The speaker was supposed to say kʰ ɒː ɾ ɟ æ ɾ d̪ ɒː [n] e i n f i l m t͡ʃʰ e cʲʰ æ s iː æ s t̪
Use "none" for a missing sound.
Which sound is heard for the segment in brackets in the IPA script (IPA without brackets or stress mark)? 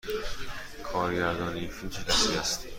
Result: n